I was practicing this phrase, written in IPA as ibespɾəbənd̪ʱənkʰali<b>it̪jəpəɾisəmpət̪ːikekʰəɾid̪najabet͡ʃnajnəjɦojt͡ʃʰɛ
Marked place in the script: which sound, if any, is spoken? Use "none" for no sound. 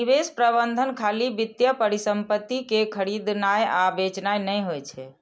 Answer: b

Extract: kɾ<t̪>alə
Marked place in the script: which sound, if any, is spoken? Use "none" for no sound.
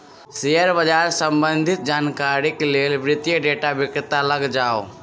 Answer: t̪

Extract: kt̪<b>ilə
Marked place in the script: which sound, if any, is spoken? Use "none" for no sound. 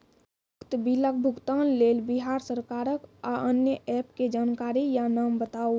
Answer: b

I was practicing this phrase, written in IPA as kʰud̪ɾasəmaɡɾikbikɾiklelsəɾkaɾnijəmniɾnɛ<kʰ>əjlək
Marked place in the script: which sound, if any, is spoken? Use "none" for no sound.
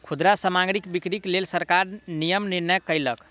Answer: k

